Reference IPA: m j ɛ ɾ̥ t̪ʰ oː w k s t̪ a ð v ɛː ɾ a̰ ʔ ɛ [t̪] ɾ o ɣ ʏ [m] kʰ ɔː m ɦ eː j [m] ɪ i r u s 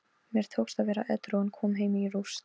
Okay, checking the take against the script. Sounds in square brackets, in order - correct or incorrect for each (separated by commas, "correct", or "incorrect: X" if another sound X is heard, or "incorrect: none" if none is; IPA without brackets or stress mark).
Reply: correct, incorrect: n, correct